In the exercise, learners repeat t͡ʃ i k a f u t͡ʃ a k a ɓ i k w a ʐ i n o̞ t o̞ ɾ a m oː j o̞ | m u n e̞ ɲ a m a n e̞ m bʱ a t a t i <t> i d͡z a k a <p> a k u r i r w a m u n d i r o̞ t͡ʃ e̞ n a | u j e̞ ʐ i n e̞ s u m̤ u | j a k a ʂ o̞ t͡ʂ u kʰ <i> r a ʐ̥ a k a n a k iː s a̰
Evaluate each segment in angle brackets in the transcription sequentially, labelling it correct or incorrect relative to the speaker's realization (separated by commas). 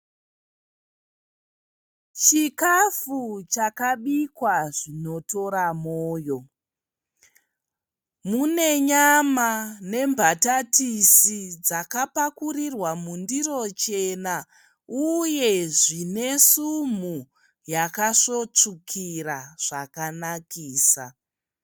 incorrect, correct, correct